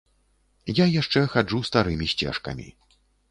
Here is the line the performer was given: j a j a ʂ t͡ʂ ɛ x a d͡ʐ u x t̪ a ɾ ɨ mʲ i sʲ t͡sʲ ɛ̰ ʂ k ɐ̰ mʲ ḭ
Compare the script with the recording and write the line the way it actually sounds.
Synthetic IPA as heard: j a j a ʂ t͡ʂ ɛ x a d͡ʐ u s t̪ a ɾ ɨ mʲ i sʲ t͡sʲ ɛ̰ ʂ k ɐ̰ mʲ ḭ